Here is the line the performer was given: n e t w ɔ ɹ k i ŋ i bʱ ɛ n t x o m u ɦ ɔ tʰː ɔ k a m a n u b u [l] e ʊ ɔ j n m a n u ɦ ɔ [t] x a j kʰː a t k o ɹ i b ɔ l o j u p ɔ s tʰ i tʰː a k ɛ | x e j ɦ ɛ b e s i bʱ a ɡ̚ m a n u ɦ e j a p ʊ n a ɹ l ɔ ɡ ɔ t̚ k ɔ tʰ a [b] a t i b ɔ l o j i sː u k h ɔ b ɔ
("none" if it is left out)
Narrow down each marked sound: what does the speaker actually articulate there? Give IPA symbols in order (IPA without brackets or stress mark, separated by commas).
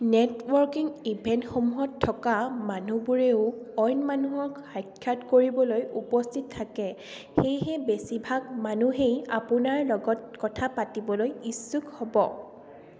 ɹ, k, p